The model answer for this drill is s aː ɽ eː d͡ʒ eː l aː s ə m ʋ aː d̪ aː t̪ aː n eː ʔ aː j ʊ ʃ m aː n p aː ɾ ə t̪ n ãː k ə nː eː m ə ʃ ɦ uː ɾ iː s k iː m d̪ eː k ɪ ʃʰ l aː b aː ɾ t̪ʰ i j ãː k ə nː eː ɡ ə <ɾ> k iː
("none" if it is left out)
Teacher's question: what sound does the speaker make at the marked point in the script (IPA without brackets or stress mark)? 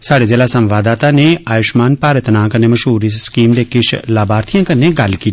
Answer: l